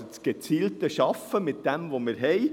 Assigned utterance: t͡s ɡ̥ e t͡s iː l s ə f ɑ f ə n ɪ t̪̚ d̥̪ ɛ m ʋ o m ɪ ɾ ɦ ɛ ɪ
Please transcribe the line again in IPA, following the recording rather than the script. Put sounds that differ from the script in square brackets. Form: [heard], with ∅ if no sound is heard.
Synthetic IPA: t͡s ɡ̥ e t͡s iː l [t] ə [ʃ] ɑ f ə [m] ɪ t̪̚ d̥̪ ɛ m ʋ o m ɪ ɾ ɦ ɛ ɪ